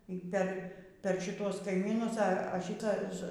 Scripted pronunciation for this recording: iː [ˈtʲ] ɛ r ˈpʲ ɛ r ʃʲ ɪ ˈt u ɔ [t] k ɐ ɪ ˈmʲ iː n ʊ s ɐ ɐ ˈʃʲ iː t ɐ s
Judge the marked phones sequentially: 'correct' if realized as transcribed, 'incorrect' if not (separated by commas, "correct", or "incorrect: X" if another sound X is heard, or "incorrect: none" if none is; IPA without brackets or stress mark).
incorrect: pʲ, incorrect: s